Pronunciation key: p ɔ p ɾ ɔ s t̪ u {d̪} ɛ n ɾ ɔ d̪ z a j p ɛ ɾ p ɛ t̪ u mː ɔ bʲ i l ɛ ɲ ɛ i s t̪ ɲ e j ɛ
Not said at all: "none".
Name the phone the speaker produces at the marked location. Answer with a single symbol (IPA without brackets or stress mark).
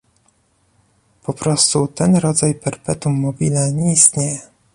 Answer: t̪